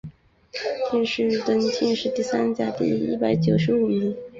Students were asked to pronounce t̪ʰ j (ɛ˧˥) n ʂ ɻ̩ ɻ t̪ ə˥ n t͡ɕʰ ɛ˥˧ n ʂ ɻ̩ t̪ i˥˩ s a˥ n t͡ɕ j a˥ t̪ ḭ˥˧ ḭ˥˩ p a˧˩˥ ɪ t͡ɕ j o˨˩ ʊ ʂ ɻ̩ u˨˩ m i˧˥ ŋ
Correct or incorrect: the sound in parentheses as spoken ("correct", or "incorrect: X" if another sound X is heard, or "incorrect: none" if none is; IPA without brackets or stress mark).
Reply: incorrect: ɛ˥˧